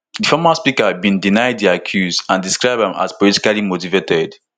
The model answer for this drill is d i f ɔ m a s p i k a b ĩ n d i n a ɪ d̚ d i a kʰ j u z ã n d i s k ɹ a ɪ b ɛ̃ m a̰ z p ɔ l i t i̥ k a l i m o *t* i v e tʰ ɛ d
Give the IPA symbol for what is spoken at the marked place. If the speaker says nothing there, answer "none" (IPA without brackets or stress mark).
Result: t